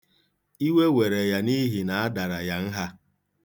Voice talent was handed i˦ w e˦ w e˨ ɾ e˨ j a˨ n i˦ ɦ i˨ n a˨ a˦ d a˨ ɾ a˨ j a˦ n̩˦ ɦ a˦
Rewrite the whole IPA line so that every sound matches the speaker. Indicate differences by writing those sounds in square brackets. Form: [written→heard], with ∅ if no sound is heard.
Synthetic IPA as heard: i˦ w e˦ w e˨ ɾ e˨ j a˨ n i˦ ɦ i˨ n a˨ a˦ d a˨ ɾ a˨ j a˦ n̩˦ ɦ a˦